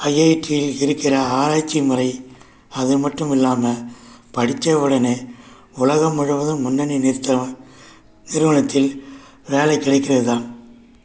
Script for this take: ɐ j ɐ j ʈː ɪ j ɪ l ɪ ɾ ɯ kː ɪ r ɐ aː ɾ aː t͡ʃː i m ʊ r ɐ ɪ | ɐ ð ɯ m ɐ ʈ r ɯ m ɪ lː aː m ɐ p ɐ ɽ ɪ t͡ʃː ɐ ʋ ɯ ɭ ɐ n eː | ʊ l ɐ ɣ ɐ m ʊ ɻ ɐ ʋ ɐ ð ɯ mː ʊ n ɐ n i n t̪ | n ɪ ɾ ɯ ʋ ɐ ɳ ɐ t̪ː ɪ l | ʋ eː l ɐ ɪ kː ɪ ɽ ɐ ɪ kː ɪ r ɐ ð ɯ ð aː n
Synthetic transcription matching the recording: ɐ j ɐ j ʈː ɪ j ɪ l ɪ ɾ ɯ kː ɪ r ɐ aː ɾ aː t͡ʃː i m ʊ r ɐ ɪ | ɐ ð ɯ m ɐ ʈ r ɯ m ɪ lː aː m ɐ p ɐ ɽ ɪ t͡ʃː ɐ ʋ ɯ ɽ ɐ n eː | ʊ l ɐ ɣ ɐ m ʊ ɻ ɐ ʋ ɐ ð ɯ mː ʊ nː ɐ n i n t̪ | n ɪ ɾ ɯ ʋ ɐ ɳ ɐ t̪ː ɪ l | ʋ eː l ɐ ɪ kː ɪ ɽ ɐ ɪ kː ɪ r ɐ ð ɯ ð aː n